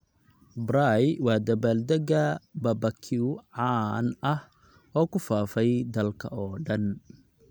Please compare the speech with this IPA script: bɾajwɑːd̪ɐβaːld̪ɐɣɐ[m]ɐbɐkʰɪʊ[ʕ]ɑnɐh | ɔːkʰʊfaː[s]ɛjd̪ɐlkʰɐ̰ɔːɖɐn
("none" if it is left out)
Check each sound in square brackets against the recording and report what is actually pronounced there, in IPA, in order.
b, ʕ, f

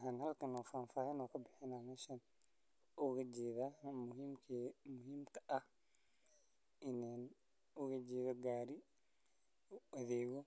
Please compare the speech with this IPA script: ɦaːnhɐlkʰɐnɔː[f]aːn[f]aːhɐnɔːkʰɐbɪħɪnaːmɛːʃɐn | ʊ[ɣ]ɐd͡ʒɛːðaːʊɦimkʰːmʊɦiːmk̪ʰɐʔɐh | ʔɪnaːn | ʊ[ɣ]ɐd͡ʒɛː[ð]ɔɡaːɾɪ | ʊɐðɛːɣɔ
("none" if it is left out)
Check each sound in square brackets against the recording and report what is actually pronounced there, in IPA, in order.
f, f, ɣ, ɣ, ð

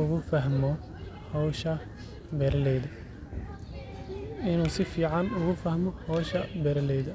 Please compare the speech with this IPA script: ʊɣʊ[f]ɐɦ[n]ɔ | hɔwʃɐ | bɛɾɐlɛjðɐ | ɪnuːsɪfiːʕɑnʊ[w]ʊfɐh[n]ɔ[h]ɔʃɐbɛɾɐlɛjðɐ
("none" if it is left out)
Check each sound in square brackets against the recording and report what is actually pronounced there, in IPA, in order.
f, m, ɣ, m, h

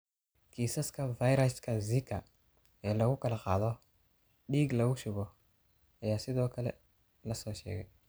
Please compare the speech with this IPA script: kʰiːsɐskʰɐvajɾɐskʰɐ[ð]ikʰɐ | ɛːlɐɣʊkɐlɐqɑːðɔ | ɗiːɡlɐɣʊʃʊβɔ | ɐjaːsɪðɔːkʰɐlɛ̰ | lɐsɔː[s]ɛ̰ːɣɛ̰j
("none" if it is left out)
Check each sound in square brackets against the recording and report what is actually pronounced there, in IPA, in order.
z, ʃ

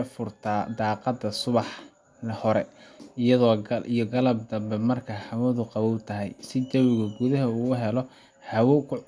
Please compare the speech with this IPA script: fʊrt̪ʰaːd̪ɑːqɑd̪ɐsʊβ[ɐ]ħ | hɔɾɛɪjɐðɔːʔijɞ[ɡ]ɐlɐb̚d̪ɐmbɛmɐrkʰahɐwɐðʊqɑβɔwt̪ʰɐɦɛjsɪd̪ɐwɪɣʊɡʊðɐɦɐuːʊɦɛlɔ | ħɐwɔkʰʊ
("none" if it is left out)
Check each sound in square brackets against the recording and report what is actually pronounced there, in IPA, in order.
ɑ, ɡ

